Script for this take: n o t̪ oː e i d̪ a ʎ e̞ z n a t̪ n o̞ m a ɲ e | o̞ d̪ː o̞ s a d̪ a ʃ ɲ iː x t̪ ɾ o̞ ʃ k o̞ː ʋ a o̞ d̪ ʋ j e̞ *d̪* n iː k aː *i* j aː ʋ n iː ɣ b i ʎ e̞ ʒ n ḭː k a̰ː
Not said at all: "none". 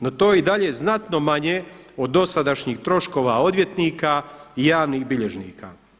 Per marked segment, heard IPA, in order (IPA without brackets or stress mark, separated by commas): t̪, i